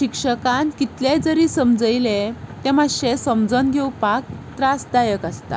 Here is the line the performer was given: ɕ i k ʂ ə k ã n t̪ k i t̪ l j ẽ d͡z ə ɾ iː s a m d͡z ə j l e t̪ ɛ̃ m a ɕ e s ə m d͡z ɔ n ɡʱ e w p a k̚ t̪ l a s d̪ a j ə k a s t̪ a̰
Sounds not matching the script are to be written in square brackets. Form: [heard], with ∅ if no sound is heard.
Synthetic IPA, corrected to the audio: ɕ i k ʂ ə k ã n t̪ k i t̪ l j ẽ d͡z ə ɾ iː s [ə] m d͡z ə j l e t̪ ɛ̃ m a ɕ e s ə m d͡z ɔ n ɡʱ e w p a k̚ t̪ [ɾ] a s d̪ a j ə k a s t̪ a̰